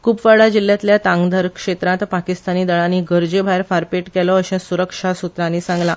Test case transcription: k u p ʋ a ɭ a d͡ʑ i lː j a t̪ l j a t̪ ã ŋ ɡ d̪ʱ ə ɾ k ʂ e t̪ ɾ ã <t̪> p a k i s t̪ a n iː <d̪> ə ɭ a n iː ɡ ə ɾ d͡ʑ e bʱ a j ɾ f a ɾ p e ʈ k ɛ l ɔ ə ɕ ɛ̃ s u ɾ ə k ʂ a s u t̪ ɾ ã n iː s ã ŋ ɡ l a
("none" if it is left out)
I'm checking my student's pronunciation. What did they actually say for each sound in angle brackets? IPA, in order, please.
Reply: t̪, d̪

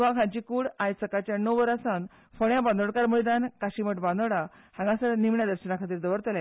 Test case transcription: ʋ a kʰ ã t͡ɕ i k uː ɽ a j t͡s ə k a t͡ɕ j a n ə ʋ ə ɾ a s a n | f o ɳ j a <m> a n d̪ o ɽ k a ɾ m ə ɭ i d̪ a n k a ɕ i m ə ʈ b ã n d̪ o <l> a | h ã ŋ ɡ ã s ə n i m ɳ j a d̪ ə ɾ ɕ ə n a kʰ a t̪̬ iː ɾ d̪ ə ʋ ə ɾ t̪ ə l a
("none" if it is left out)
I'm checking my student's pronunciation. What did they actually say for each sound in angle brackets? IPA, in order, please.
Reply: b, ɽ

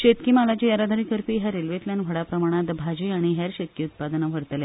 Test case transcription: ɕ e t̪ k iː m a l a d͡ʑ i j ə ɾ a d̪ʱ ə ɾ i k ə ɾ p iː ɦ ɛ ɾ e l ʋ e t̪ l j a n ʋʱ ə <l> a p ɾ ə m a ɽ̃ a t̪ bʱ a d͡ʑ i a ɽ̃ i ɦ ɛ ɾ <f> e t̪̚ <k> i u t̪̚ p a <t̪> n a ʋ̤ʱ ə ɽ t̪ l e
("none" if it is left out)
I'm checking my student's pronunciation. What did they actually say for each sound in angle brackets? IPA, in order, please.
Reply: ɽ, ɕ, k, d̪

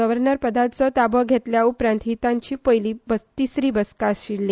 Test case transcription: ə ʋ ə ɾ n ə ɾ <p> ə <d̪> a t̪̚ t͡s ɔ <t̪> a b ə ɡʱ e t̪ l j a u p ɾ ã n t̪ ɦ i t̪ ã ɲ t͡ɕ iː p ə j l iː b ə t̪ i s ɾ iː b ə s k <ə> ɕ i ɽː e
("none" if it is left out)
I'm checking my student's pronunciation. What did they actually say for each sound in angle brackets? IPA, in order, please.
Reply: p, d̪, t̪, a

